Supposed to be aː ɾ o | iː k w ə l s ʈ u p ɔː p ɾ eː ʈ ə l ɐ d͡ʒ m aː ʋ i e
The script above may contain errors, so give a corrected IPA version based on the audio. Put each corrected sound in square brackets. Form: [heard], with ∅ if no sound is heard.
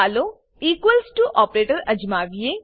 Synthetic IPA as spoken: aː [l] o | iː k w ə l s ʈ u [ʔ] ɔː p ɾ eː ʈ ə [ɾ] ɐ d͡ʒ m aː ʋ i e